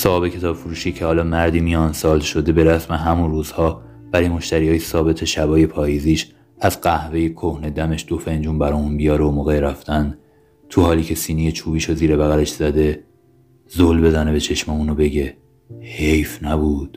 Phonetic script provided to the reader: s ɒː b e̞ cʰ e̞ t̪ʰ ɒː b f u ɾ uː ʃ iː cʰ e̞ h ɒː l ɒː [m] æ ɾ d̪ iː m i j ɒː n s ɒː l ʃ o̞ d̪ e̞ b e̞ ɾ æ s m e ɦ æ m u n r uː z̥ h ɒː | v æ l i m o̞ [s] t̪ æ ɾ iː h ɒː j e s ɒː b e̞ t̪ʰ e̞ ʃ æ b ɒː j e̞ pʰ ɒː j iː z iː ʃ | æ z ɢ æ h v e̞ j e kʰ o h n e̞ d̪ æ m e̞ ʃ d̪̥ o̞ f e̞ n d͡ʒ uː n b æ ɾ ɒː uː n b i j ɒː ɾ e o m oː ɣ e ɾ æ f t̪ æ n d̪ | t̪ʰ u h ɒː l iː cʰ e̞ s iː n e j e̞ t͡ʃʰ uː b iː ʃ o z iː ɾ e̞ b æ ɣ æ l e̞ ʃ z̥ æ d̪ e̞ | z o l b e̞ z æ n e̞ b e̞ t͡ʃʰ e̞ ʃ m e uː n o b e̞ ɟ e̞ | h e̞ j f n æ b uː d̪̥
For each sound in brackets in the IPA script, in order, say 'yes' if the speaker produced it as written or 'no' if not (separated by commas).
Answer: yes, no